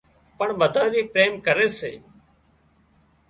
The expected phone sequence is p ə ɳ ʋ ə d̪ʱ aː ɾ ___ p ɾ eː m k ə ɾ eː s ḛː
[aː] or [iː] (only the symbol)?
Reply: iː